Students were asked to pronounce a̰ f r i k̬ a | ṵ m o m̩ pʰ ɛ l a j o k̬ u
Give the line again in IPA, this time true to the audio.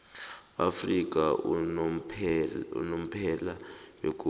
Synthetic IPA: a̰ f r i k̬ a | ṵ n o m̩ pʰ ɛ l a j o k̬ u